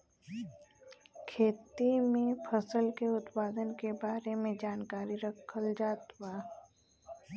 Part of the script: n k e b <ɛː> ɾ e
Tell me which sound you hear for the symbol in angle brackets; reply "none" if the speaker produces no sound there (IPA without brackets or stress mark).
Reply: aː